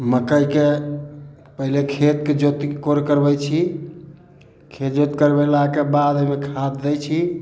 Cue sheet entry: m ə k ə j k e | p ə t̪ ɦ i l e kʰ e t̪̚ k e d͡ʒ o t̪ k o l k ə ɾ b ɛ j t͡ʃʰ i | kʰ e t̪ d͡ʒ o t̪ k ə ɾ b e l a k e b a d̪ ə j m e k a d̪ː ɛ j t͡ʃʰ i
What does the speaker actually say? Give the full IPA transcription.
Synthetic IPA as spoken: m ə k ə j k e | p ə ɦ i l e kʰ e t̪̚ k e d͡ʒ o t̪ k o ɾ k ə ɾ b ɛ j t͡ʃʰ i | kʰ e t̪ d͡ʒ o t̪ k ə ɾ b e l a k e b a d̪ ə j m e kʰ a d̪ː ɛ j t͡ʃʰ i